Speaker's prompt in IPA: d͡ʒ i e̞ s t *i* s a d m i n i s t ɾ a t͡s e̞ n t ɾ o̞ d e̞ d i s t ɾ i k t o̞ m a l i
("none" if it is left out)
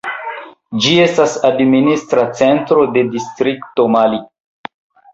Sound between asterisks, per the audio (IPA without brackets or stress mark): a